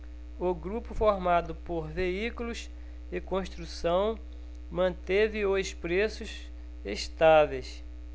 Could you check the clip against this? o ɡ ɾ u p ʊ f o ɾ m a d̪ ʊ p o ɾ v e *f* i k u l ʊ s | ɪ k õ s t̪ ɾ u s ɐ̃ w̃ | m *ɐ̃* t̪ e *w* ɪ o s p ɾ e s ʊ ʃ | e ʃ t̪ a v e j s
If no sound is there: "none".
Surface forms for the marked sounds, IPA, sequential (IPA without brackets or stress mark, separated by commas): none, ɐ̃, v